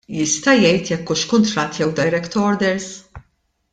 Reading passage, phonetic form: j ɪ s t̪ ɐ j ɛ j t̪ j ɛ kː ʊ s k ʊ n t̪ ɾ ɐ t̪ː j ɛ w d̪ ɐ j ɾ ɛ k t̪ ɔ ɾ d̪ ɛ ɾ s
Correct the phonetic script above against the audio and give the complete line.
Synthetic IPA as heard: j ɪ s t̪ ɐ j ɛ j t̪ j ɛ kː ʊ ʃ k ʊ n t̪ ɾ ɐ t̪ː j ɛ w d̪ ɐ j ɾ ɛ k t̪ ɔ ɾ d̪ ɛ ɾ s